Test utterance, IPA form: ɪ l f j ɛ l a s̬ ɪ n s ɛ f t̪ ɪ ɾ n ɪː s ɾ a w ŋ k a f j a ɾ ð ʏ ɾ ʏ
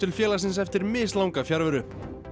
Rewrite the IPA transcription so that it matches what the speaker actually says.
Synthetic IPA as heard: ɪ l f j ɛː l a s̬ ɪ n s ɛ f t̪ ɪ ɾ m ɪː s l a w ŋ k a f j a ɾ v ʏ ɾ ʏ